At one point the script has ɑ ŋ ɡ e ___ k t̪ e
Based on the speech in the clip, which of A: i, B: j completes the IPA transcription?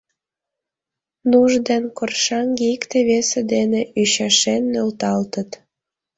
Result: A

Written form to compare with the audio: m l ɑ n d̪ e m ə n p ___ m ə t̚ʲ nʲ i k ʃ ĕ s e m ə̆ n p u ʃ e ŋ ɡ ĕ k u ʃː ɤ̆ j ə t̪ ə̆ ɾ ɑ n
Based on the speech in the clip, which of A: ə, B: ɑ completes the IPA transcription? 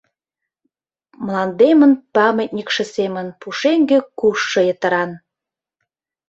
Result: B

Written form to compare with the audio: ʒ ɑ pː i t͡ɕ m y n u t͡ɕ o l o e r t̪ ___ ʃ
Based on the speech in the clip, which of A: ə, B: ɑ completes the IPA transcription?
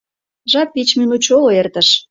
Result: A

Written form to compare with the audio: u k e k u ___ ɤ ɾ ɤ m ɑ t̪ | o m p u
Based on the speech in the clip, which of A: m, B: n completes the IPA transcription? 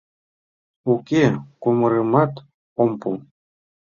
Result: A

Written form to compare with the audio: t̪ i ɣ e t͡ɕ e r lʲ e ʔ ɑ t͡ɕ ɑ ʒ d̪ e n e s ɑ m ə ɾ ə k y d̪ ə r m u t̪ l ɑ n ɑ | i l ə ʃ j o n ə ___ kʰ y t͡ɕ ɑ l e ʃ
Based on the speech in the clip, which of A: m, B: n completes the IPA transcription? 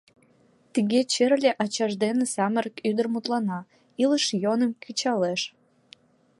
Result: A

